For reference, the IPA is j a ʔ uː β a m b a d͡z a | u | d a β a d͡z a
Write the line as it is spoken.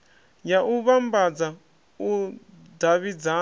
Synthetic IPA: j a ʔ u β a m b a d͡z a | u | d a β i d͡z a